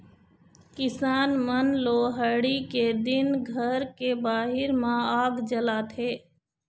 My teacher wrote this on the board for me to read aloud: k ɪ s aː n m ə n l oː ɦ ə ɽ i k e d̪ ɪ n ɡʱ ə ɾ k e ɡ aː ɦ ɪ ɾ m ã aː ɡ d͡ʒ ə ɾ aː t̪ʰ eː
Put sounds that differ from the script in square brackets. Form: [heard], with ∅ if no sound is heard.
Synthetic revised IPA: k ɪ s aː n m ə n l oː ɦ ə ɽ i k e d̪ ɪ n ɡʱ ə ɾ k e [b] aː ɦ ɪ ɾ m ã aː ɡ d͡ʒ ə [l] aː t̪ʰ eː